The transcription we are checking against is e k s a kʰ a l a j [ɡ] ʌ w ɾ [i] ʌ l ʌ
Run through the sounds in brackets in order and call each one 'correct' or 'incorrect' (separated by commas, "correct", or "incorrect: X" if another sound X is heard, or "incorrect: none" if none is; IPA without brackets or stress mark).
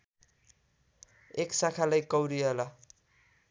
incorrect: k, correct